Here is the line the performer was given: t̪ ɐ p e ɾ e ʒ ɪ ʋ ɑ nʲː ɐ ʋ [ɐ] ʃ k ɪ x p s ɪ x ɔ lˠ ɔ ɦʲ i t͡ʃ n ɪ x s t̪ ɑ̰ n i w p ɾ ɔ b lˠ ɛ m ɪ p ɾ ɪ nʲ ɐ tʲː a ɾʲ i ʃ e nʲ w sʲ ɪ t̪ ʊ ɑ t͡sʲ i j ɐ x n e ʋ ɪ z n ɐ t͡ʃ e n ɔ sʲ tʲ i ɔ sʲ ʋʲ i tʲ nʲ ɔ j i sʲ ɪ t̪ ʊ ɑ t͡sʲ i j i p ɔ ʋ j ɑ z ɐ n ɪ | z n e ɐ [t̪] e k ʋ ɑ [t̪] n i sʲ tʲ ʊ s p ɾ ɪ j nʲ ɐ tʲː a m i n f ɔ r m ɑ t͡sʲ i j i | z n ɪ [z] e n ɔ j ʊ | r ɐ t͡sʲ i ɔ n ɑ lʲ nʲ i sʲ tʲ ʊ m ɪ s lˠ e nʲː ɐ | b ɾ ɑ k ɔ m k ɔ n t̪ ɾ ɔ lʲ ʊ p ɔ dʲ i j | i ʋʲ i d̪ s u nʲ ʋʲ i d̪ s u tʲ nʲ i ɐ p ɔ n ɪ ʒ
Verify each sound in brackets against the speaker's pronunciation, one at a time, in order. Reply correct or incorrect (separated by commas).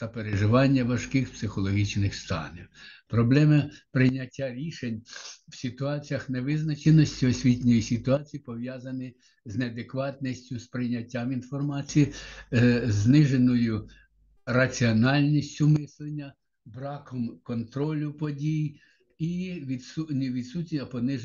correct, incorrect, correct, incorrect